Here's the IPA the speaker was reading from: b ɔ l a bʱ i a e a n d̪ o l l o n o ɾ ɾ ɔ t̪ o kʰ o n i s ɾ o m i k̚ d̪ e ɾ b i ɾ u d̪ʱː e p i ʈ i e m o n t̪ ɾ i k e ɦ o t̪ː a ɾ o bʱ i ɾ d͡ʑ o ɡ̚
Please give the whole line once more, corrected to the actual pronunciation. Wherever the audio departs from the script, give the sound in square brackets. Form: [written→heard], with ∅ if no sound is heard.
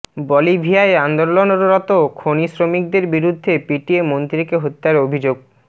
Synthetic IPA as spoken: b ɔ l [a→i] bʱ i a e a n d̪ o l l o n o ɾ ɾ ɔ t̪ o kʰ o n i s ɾ o m i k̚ d̪ e ɾ b i ɾ u d̪ʱː e p i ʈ i e m o n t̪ ɾ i k e ɦ o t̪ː a ɾ o bʱ i [ɾ→∅] d͡ʑ o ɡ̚